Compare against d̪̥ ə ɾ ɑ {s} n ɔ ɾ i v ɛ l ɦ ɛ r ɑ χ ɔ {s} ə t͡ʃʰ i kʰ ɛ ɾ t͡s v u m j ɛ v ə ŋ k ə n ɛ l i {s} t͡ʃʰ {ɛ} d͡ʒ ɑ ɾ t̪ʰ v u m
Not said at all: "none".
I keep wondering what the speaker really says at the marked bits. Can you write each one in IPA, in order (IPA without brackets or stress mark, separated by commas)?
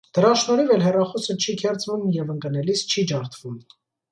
ʃ, s, s, i